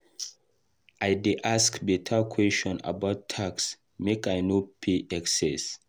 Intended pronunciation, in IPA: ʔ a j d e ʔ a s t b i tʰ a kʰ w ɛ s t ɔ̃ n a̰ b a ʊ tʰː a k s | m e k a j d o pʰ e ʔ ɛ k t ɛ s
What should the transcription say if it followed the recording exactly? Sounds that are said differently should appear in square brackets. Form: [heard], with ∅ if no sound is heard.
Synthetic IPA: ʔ a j d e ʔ a s [k] b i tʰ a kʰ w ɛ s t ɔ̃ n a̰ b a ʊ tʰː a k s | m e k a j [n] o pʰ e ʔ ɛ k [s] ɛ s